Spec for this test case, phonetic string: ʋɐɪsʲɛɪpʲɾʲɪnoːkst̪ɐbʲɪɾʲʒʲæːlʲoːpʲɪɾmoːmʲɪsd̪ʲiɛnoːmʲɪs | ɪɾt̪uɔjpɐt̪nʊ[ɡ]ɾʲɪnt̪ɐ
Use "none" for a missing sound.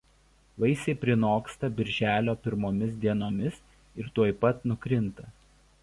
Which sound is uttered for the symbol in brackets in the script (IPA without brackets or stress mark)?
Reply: k